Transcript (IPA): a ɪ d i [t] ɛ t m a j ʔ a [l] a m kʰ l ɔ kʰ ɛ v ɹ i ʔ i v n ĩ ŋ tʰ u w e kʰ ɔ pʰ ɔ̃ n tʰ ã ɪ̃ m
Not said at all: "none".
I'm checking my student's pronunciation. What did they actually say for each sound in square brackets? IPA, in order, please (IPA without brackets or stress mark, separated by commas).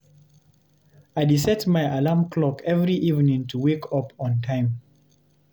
s, l